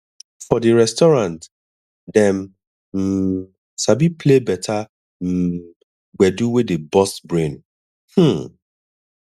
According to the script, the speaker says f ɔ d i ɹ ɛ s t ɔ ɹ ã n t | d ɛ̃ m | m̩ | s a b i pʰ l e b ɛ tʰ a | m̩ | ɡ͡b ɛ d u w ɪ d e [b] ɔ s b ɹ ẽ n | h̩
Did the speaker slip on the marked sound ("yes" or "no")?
no